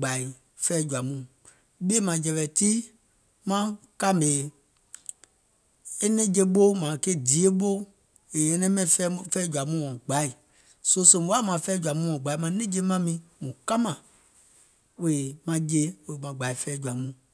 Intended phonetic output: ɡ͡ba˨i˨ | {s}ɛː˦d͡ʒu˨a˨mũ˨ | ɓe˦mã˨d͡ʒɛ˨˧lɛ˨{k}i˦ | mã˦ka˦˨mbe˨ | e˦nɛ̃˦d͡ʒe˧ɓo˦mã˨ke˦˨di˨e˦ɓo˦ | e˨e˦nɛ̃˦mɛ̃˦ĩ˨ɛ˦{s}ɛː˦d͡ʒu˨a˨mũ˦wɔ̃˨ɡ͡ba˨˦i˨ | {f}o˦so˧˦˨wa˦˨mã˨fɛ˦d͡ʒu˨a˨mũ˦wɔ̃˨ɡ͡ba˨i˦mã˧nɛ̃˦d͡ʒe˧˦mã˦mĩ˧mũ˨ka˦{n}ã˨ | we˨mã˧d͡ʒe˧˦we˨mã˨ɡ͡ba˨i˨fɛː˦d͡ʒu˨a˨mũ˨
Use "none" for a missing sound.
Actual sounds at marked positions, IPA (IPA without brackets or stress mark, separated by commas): f, t, f, s, m